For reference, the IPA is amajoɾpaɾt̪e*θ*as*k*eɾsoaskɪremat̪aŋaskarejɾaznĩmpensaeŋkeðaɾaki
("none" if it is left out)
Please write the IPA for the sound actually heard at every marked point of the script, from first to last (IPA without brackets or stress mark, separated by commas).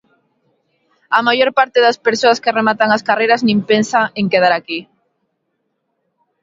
ð, p